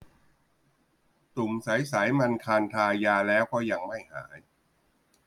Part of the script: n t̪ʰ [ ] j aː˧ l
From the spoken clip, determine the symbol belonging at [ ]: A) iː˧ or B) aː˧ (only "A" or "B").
B